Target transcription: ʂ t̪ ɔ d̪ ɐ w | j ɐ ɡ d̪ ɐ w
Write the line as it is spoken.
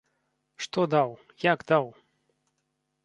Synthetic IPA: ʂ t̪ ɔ d̪ a w | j a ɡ d̪ a w

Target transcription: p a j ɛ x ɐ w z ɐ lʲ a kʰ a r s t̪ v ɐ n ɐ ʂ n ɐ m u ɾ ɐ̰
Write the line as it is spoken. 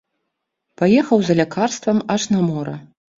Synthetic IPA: p a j ɛ x ɐ w z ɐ lʲ a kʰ a r s t̪ v ɐ m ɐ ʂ n ɐ m ɔ ɾ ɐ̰

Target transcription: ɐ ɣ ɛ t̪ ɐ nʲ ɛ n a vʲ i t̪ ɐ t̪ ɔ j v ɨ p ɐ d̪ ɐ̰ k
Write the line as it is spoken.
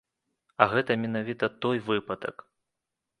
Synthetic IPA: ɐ ɣ ɛ t̪ ɐ mʲ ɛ n a vʲ i t̪ ɐ t̪ ɔ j v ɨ p ɐ d̪ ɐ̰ k

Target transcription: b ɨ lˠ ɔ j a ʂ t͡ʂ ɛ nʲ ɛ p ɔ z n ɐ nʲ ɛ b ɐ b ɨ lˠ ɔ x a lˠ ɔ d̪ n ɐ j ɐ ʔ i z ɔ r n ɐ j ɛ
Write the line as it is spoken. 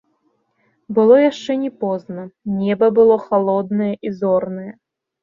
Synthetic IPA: b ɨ lˠ ɔ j a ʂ t͡ʂ ɛ nʲ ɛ p ɔ z n ɐ nʲ ɛ b ɐ b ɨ lˠ ɔ x a lˠ ɔ d̪ n ɐ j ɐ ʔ i z ɔ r n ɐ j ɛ

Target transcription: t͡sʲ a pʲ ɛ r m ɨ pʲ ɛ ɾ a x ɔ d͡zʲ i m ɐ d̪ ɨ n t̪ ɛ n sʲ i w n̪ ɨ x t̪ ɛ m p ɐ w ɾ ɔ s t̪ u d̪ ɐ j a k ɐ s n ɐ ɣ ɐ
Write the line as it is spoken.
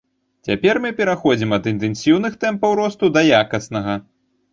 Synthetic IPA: t͡sʲ a pʲ ɛ r m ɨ pʲ ɛ ɾ a x ɔ d͡zʲ i m ɐ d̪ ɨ n t̪ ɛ n sʲ i w n̪ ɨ x t̪ ɛ m p ɐ w ɾ ɔ s t̪ u d̪ ɐ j a k ɐ s n ɐ ɣ ɐ

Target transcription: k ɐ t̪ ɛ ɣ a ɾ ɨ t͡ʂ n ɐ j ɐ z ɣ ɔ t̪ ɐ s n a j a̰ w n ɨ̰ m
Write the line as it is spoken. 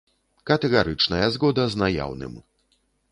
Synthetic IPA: k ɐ t̪ ɛ ɣ a ɾ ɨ t͡ʂ n ɐ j ɐ z ɣ ɔ d̪ ɐ z n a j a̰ w n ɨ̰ m

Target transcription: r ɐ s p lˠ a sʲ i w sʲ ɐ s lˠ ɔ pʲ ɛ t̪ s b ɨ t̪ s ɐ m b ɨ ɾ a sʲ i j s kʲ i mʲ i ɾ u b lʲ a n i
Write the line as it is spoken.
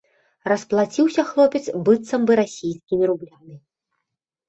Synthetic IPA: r ɐ s p lˠ a t͡sʲ i w sʲ ɐ x lˠ ɔ pʲ ɛ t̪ s b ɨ t̪ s ɐ m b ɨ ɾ a sʲ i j s kʲ i mʲ i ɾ u b lʲ a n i

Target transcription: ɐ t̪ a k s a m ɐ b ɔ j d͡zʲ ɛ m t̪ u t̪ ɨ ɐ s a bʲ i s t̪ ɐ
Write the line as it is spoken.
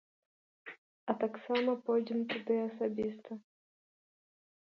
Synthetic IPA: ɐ t̪ a k s a m ɐ p ɔ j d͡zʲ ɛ m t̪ u d̪ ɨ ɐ s a bʲ i s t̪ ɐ

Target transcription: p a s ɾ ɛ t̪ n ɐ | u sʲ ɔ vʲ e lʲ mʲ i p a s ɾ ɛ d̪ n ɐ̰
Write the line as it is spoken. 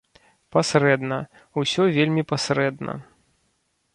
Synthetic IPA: p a s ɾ ɛ d̪ n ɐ | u sʲ ɔ vʲ e lʲ mʲ i p a s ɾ ɛ d̪ n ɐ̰

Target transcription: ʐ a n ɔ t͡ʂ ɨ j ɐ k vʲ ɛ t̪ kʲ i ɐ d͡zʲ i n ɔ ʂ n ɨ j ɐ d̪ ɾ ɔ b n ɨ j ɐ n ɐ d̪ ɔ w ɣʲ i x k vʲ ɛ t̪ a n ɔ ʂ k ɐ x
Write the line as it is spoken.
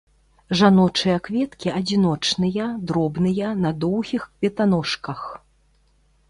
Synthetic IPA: ʐ a n ɔ t͡ʂ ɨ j ɐ k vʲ ɛ t̪ kʲ i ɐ d͡zʲ i n ɔ t͡ʂ n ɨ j ɐ d̪ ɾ ɔ b n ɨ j ɐ n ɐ d̪ ɔ w ɣʲ i x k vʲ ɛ t̪ a n ɔ ʂ k ɐ x

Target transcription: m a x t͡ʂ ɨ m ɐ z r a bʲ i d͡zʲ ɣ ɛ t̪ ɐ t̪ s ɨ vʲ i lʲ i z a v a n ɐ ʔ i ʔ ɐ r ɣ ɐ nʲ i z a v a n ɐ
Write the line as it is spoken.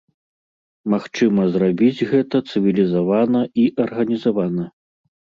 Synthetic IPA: m a x t͡ʂ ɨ m ɐ z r a bʲ i d͡zʲ ɣ ɛ t̪ ɐ t̪ s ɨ vʲ i lʲ i z a v a n ɐ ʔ i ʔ ɐ r ɣ ɐ nʲ i z a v a n ɐ

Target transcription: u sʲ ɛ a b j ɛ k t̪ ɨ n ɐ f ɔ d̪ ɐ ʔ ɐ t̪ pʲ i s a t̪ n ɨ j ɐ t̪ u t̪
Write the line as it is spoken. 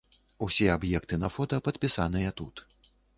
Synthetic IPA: u sʲ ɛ a b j ɛ k t̪ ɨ n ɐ f ɔ t̪ ɐ p ɐ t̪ pʲ i s a n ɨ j ɐ t̪ u t̪

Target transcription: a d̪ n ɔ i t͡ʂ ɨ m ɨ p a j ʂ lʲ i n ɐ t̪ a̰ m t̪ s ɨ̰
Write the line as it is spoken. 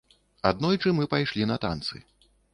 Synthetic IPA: a d̪ n ɔ j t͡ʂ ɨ m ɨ p a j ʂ lʲ i n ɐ t̪ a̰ n t̪ s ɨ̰

